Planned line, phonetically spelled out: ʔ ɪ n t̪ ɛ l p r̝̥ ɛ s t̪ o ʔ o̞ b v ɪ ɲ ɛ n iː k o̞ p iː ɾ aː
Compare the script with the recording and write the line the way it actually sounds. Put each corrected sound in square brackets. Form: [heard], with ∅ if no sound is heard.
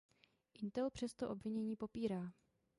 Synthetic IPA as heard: ʔ ɪ n t̪ ɛ l p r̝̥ ɛ s t̪ o ʔ o̞ b v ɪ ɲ ɛ [ɲ] iː [p] o̞ p iː ɾ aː